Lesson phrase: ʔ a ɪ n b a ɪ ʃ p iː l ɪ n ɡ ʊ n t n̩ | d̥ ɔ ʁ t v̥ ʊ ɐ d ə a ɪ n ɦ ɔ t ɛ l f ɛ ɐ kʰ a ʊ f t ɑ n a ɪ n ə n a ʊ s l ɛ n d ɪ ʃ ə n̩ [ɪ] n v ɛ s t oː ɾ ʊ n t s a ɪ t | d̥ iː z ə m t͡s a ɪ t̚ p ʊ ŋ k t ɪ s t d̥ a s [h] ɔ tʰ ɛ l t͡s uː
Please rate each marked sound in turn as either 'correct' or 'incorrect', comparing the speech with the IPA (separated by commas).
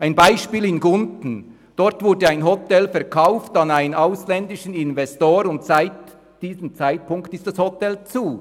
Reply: correct, correct